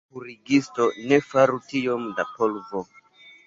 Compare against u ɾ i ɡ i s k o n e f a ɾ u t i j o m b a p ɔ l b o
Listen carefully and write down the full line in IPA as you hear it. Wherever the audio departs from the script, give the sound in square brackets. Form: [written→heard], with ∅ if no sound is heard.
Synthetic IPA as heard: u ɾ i ɡ i s [k→t] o n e f a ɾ u t i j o m [b→d] a p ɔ l [b→v] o